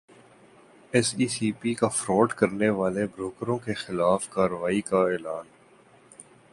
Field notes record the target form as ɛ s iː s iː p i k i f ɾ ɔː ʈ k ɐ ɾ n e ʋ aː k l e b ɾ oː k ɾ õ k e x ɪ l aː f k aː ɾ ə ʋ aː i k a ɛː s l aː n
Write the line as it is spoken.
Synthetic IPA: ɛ s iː s iː p i k a f ɾ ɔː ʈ k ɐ ɾ n e ʋ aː l e b ɾ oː k ɾ õ k e x ɪ l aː f k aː ɾ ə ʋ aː i k a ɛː l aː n